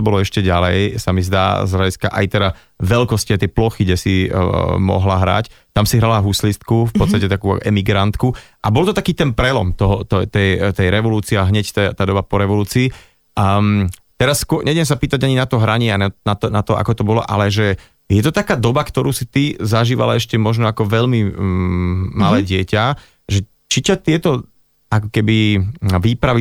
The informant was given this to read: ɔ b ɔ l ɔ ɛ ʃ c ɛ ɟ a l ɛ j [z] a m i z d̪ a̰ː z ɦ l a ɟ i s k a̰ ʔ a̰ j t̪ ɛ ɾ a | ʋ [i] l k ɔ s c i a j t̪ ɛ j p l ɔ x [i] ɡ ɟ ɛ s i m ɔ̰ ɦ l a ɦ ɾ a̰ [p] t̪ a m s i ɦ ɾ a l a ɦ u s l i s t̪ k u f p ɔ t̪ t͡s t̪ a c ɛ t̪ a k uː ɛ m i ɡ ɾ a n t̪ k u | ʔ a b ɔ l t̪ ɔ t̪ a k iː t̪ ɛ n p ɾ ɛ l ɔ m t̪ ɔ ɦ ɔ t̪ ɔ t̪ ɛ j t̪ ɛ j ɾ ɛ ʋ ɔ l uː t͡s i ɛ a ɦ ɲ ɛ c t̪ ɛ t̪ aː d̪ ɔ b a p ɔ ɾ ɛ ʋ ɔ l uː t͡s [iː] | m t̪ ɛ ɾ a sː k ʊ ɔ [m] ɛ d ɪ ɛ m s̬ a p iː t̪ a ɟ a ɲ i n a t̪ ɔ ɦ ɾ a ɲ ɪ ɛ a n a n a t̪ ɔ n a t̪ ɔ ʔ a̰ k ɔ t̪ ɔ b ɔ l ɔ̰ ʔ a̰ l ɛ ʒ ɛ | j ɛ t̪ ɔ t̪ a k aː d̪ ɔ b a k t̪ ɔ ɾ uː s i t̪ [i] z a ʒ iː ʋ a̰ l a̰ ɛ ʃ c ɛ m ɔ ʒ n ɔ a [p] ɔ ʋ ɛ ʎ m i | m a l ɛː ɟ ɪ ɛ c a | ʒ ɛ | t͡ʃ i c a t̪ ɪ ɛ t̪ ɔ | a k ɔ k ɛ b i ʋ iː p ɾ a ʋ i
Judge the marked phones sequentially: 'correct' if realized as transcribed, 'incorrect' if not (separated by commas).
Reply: incorrect, incorrect, correct, incorrect, correct, incorrect, correct, incorrect